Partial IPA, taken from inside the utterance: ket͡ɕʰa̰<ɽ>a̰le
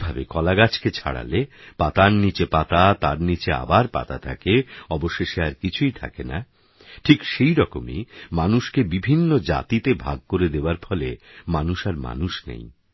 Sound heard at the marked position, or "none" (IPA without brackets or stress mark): ɽ